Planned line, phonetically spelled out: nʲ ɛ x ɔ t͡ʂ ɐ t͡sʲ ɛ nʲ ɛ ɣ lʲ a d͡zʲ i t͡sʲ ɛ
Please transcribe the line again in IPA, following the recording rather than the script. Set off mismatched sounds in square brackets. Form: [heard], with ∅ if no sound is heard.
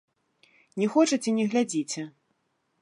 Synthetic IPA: nʲ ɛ x ɔ t͡ʂ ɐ t͡sʲ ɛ nʲ ɛ ɣ lʲ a d͡zʲ i t͡sʲ ɛ